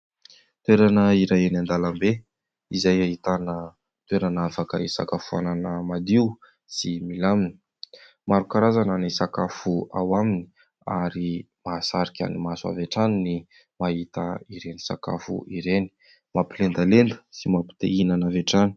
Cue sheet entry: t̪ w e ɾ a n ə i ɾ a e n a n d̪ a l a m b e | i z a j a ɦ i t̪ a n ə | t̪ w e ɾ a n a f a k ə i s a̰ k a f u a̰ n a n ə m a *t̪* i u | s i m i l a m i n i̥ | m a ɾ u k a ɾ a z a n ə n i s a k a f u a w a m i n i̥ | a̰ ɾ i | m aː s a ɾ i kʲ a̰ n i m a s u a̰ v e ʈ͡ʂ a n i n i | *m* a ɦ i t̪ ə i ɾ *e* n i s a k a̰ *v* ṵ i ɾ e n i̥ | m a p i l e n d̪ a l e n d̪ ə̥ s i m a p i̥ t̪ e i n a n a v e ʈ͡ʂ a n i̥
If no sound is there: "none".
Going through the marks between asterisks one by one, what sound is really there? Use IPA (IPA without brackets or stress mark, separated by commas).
d̪, m, e, f